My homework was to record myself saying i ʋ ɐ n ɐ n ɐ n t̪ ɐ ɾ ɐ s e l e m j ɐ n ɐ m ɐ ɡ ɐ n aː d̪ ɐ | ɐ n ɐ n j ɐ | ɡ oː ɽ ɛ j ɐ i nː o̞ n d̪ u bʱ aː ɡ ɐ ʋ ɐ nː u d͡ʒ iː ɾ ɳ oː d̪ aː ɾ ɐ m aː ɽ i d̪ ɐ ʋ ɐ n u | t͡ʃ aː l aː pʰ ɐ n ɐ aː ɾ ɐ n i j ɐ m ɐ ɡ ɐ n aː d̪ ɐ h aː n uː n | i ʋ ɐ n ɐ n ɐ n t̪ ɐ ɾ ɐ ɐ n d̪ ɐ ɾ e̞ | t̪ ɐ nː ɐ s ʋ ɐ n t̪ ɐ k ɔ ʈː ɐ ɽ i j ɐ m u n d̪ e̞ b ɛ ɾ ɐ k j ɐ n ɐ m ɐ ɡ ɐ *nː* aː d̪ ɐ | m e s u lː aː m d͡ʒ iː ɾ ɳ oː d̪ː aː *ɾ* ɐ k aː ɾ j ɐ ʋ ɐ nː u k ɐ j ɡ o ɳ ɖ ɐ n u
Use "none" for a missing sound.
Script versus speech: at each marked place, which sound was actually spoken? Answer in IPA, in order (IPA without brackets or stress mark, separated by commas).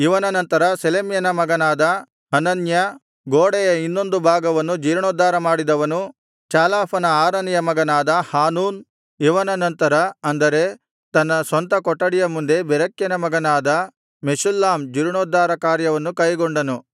n, ɾ